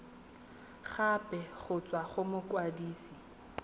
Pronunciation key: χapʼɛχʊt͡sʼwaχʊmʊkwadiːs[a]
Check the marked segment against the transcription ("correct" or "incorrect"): incorrect